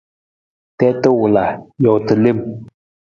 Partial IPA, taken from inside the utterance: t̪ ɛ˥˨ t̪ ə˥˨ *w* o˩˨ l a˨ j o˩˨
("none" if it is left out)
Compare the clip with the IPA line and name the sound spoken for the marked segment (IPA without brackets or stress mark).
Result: w